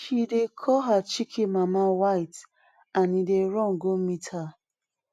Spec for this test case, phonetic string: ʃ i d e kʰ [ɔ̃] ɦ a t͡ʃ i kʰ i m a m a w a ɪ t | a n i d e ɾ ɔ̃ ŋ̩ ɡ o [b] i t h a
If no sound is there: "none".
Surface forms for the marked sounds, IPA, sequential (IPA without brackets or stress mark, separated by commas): ɔ, m